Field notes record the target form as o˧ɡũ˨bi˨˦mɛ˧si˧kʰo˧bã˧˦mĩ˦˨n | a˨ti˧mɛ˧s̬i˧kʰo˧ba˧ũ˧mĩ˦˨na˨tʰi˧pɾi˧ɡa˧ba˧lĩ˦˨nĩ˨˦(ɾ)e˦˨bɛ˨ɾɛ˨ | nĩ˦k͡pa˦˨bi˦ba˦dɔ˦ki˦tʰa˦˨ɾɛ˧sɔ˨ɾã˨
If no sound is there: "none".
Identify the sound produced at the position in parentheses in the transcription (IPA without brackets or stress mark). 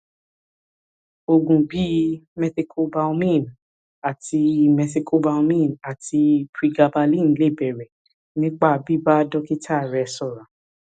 l